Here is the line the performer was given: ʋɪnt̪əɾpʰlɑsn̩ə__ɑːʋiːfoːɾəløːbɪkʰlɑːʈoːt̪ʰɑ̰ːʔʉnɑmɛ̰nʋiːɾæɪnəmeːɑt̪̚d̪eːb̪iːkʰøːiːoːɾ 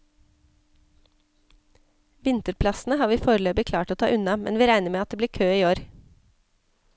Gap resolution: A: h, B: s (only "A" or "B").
A